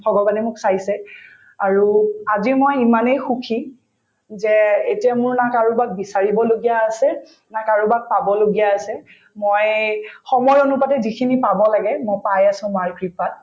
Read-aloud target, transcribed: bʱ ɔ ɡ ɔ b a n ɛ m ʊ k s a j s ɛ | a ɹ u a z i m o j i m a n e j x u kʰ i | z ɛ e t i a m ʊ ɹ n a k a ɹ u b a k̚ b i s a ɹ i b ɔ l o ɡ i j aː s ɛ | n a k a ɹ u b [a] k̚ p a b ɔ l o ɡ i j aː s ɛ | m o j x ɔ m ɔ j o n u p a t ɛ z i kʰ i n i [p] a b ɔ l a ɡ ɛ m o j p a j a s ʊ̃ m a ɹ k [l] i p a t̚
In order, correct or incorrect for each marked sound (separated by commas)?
correct, correct, incorrect